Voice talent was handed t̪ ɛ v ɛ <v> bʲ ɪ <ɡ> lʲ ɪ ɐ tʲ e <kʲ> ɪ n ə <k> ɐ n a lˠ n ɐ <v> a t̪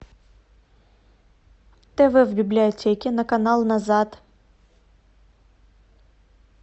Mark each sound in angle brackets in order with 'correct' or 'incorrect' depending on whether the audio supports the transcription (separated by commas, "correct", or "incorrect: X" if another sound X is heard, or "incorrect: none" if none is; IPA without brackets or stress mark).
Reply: correct, incorrect: b, correct, correct, incorrect: z